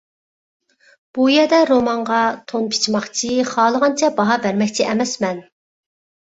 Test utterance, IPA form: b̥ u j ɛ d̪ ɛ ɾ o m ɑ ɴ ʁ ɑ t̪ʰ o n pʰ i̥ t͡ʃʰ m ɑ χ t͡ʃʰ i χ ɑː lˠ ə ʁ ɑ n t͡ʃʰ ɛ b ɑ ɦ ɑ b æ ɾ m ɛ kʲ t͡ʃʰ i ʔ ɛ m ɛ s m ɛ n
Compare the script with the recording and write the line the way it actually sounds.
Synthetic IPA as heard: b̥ u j ɛ d̪ ɛ ɾ o m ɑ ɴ ʁ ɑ t̪ʰ o n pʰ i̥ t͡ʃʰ m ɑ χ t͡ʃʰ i χ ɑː lˠ ə ʁ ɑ n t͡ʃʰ ɛ b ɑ ɦ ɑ b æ ɾ m ɛ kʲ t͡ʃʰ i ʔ ɛ m ɛ s m ɛ n

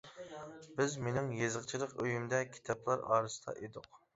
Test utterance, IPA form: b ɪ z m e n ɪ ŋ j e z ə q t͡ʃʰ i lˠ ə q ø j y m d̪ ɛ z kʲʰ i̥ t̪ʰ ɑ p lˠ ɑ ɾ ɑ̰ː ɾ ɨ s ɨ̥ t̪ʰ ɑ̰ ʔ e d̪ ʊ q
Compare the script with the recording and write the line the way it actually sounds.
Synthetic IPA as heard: b ɪ z m e n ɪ ŋ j e z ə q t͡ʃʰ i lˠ ə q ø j y m d̪ ɛ kʲʰ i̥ t̪ʰ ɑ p lˠ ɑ ɾ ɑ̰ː ɾ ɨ s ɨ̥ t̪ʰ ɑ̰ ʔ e d̪ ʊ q

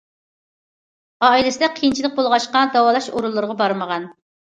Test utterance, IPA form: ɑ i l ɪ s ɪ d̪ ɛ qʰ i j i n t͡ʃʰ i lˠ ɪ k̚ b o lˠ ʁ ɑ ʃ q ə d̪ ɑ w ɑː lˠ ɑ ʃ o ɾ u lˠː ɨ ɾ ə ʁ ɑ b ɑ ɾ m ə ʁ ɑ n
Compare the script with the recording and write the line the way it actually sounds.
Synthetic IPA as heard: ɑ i l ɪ s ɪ d̪ ɛ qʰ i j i n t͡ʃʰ i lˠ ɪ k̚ b o lˠ ʁ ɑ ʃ q ɑ d̪ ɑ w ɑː lˠ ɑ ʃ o ɾ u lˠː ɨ ɾ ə ʁ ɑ b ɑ ɾ m ə ʁ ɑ n

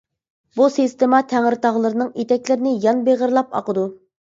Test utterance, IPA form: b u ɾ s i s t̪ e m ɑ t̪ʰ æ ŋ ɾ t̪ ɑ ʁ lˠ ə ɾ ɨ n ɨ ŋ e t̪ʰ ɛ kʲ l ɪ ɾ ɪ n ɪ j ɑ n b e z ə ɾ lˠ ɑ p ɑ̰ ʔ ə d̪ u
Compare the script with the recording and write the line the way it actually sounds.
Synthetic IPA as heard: b u s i s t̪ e m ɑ t̪ʰ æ ŋ ɾ t̪ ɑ ʁ lˠ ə ɾ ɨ n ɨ ŋ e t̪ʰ ɛ kʲ l ɪ ɾ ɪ n ɪ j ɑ n b e ʁ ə ɾ lˠ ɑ p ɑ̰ q ə d̪ u

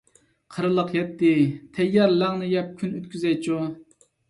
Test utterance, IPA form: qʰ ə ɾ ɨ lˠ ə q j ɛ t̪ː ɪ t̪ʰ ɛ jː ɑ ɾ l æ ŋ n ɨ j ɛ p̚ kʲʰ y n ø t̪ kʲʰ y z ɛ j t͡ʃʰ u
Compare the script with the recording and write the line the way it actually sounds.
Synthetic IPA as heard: qʰ ə ɾ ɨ lˠ ə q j ɛ t̪ː ɪ t̪ʰ ɛ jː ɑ ɾ l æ ŋ n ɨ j ɛ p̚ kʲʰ y n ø t̪ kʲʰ y z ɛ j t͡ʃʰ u

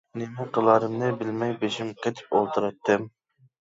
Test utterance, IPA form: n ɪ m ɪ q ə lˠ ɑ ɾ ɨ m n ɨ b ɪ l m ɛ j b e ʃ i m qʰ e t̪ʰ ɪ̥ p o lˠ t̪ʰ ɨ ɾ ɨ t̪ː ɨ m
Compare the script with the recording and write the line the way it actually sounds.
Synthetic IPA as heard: n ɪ m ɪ q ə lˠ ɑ ɾ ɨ m n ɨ b ɪ l m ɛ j b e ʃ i m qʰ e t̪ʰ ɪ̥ p o lˠ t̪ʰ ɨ ɾ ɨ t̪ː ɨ m

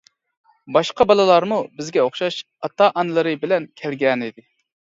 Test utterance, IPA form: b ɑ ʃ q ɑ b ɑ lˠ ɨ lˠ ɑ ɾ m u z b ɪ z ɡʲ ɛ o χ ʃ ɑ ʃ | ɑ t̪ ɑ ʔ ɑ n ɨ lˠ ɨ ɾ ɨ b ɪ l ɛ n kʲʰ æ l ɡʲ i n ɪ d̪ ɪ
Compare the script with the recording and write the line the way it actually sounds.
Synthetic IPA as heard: b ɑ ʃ q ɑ b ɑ lˠ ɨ lˠ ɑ ɾ m u b ɪ z ɡʲ ɛ o χ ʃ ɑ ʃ | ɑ t̪ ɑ ʔ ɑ n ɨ lˠ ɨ ɾ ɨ b ɪ l ɛ n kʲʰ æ l ɡʲ ɛ n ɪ d̪ ɪ

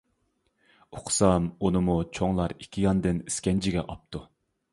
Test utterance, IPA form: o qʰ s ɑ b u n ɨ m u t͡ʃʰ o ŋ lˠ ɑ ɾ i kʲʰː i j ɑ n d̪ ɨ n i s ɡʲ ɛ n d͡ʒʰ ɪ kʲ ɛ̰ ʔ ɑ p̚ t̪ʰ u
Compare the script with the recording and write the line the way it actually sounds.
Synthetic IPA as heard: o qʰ s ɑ m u n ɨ m u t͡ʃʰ o ŋ lˠ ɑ ɾ i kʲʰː i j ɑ n d̪ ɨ n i s kʲ ɛ n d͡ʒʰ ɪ ɡʲ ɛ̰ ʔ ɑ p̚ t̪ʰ u

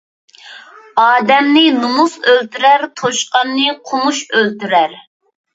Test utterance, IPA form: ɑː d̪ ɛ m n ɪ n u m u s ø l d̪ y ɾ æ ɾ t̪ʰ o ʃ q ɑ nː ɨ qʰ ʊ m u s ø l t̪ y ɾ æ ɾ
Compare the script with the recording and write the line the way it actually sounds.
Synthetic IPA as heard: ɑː d̪ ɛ m n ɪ n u m u s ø l t̪ y ɾ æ ɾ t̪ʰ o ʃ q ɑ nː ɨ qʰ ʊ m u ʃ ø l t̪ y ɾ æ ɾ

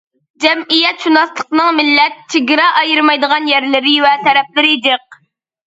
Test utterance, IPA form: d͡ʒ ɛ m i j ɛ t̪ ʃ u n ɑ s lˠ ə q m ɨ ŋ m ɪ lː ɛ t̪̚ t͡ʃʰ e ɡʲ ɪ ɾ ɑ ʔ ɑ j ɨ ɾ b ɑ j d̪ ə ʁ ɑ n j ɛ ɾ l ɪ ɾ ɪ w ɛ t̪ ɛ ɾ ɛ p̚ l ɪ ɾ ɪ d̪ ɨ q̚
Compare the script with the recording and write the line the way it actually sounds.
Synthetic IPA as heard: d͡ʒ ɛ m i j ɛ t̪ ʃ u n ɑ s lˠ ə q n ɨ ŋ m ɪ lː ɛ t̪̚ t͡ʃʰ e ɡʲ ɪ ɾ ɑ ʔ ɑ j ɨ ɾ m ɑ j d̪ ə ʁ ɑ n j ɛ ɾ l ɪ ɾ ɪ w ɛ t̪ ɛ ɾ ɛ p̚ l ɪ ɾ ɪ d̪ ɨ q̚

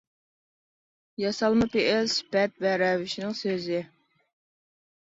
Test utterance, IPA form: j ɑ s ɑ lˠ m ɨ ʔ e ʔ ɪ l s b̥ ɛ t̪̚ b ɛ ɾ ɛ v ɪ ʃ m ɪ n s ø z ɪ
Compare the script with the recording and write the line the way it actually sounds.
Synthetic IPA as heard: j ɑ s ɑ lˠ m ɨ p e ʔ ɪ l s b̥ ɛ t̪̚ v ɛ ɾ ɛ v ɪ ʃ n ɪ ŋ s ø z ɪ

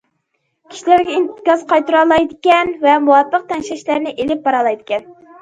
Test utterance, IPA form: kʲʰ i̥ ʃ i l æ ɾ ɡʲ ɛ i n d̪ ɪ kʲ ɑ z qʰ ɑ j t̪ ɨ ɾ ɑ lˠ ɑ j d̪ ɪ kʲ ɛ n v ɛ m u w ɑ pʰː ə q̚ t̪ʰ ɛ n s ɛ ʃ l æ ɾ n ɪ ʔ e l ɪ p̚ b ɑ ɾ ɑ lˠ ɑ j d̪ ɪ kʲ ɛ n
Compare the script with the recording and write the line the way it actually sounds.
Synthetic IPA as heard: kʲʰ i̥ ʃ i l æ ɾ ɡʲ ɛ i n t̪ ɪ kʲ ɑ z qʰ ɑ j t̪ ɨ ɾ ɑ lˠ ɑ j d̪ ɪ kʲ ɛ n v ɛ m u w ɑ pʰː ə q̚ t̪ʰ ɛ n ʃ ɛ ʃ l æ ɾ n ɪ ʔ e l ɪ p̚ b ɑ ɾ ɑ lˠ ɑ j d̪ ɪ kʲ ɛ n

